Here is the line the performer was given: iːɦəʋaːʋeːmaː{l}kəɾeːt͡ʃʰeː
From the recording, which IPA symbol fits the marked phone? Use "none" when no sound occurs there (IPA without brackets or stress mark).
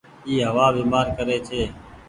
ɾ